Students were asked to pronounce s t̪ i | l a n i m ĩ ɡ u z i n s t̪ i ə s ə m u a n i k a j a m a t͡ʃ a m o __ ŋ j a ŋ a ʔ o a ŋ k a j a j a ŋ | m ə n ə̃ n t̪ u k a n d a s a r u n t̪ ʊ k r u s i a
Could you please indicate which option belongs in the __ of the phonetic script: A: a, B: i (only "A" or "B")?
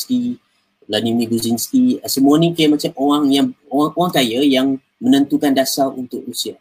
A